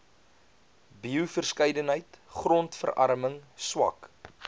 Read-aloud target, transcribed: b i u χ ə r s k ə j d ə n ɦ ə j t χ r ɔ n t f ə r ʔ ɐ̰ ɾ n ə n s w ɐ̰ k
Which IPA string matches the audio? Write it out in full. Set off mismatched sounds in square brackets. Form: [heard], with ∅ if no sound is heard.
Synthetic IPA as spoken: b i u [f] ə r s k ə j d ə n ɦ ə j t χ r ɔ n t f ə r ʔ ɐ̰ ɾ [m] ə [ŋ] s w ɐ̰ k